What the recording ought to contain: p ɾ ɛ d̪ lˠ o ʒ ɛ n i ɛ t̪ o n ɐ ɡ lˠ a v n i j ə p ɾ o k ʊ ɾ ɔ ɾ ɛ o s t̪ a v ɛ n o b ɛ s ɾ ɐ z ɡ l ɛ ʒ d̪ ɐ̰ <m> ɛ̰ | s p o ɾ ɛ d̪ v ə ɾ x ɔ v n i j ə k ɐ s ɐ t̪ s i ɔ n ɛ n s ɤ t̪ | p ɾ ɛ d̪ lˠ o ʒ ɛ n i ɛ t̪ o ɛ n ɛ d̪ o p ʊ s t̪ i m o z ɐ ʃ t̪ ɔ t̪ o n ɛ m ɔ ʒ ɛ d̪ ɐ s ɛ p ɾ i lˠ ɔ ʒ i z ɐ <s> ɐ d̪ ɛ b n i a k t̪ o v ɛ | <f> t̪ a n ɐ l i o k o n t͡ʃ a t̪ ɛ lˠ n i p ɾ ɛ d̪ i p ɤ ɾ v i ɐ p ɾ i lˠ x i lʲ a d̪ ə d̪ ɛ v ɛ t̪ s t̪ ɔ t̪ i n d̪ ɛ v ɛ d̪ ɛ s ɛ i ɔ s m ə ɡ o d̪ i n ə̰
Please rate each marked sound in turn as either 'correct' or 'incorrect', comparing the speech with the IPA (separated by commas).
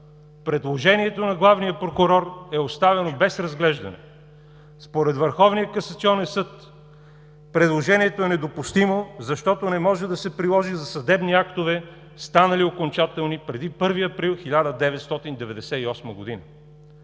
incorrect, correct, incorrect